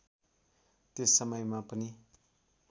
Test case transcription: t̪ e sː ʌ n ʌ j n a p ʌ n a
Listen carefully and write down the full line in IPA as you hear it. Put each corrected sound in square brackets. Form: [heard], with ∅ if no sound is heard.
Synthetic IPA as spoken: t̪ e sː ʌ [m] ʌ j [m] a p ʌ n [i]